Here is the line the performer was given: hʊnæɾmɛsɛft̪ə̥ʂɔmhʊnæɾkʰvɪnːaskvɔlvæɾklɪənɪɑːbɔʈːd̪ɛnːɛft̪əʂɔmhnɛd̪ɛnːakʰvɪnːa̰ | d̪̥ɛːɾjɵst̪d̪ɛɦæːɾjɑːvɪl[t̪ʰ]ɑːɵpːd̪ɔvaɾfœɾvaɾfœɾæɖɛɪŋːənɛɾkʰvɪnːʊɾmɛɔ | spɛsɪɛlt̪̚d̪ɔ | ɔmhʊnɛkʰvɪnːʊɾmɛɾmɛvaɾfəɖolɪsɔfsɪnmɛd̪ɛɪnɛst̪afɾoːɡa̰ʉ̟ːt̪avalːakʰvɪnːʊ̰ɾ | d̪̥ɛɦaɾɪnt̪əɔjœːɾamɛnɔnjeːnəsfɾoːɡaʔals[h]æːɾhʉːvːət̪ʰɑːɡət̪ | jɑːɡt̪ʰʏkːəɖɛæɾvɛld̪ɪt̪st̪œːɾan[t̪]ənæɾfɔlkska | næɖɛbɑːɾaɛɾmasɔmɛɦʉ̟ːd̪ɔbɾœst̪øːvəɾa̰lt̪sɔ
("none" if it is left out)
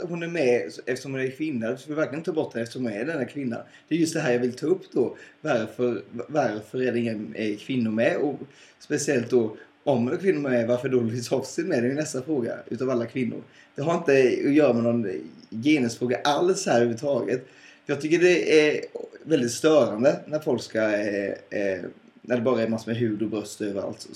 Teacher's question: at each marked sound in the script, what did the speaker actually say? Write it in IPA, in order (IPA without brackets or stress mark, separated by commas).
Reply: t̪ʰ, h, d̪